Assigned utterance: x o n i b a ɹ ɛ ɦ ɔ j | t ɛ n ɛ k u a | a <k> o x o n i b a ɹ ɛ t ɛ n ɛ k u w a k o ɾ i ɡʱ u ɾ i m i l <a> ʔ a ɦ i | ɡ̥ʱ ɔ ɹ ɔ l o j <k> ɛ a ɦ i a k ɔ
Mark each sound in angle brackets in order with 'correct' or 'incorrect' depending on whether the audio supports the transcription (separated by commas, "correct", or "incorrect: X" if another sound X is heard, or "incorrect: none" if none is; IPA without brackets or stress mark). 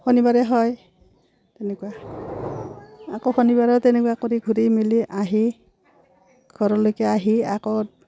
correct, incorrect: i, correct